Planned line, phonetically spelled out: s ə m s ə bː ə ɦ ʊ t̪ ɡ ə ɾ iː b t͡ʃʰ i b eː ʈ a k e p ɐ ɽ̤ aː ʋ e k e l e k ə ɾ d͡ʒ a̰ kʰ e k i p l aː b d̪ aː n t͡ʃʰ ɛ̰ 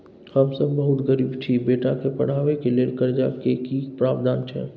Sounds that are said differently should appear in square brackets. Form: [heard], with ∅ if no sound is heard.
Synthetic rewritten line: [h] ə m s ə bː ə ɦ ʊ t̪ ɡ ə ɾ iː b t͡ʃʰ i b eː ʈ a k e p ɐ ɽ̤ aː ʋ e k e l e k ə ɾ d͡ʒ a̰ [k] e k i p [ɾ] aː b d̪ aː n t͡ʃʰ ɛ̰

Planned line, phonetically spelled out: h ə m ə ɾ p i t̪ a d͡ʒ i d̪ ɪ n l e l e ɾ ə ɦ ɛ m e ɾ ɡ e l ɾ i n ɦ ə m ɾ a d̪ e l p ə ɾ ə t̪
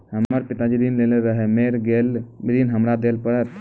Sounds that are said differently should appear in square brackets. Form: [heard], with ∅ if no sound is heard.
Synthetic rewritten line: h ə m ə ɾ p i t̪ a d͡ʒ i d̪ [i] n l e l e ɾ ə ɦ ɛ m e ɾ ɡ e l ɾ i n ɦ ə m ɾ a d̪ e l p ə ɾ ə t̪

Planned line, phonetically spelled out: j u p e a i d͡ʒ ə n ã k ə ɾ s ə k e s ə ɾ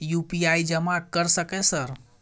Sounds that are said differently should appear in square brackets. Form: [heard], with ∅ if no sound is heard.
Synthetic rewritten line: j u p [i] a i d͡ʒ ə [m] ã k ə ɾ s ə k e s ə ɾ

